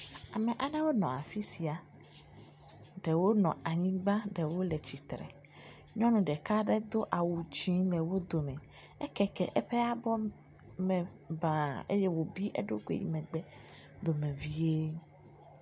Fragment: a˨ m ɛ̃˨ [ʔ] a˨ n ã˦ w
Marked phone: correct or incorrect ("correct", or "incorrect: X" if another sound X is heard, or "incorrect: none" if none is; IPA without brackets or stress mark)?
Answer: correct